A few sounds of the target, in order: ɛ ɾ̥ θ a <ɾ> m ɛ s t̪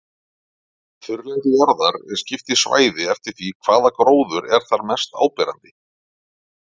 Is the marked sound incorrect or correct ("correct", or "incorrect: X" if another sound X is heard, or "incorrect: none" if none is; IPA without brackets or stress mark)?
correct